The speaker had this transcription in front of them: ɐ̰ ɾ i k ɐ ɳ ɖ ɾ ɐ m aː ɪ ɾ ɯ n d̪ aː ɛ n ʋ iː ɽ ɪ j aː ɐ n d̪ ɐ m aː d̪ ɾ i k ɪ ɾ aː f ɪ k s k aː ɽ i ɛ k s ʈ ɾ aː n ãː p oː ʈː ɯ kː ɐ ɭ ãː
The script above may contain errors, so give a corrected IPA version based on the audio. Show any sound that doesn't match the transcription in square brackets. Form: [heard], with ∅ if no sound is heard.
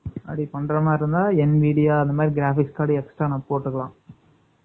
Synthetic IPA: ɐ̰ [ɽ] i [p] ɐ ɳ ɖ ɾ ɐ m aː ɪ ɾ ɯ n d̪ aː ɛ n ʋ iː ɽ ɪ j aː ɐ n d̪ ɐ m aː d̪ ɾ i [ɡ] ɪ ɾ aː f ɪ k s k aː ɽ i ɛ k s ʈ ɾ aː n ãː p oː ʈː ɯ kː ɐ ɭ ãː

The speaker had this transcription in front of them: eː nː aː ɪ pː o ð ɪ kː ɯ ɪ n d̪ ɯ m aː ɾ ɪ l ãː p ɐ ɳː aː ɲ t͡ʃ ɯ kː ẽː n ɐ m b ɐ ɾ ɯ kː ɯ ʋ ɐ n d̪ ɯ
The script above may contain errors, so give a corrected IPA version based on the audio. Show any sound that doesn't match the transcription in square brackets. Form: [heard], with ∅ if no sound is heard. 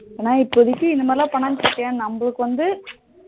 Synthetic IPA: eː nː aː ɪ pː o ð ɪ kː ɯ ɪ n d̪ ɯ m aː ɾ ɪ l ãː p ɐ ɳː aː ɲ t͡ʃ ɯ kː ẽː n ɐ m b ɐ [ɭ] ɯ kː ɯ ʋ ɐ n d̪ ɯ

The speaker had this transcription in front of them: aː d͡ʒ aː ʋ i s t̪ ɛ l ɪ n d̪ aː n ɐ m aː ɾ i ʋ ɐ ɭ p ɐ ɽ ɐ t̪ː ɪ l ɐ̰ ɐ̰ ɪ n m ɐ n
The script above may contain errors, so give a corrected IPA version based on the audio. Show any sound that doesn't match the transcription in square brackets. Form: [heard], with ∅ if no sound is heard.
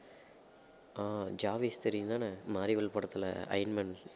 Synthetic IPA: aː d͡ʒ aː ʋ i s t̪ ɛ [ɾ] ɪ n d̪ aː n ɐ m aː ɾ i ʋ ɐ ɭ p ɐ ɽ ɐ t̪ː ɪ l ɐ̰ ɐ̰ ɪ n m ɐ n

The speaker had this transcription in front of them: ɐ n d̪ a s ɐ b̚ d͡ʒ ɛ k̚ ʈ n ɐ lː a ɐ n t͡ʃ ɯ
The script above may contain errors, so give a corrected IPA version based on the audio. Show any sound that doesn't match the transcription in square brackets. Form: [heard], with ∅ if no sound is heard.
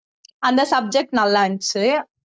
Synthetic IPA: ɐ n d̪ [ɐ] s ɐ b̚ d͡ʒ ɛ k̚ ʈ n ɐ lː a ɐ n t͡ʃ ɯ

